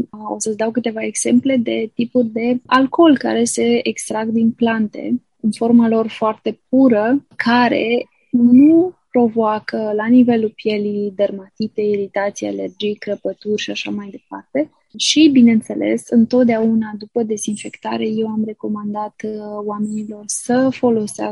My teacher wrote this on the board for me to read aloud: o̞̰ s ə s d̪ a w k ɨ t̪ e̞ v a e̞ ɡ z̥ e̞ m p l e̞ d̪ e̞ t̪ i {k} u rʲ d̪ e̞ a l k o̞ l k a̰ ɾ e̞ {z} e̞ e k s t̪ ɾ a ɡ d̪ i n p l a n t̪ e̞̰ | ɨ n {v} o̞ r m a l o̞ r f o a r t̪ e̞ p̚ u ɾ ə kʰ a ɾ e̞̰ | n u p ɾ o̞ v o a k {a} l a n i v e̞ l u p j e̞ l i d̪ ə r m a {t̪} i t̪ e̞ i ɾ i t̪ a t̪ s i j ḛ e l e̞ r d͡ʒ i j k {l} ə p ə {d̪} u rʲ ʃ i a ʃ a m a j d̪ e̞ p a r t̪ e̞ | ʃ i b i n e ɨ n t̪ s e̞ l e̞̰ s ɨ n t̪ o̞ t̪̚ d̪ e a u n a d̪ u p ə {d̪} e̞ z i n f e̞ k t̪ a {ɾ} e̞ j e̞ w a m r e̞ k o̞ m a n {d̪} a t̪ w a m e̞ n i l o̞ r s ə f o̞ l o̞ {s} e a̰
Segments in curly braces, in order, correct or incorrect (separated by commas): incorrect, incorrect, incorrect, incorrect, correct, incorrect, incorrect, correct, correct, correct, correct